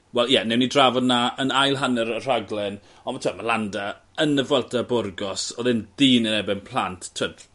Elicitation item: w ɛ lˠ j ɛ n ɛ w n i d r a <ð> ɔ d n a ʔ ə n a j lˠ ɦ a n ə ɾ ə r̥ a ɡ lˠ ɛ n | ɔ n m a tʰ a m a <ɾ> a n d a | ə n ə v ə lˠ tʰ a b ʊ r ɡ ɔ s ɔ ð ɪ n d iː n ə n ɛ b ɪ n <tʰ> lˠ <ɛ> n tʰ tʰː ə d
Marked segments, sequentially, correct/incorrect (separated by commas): incorrect, incorrect, incorrect, incorrect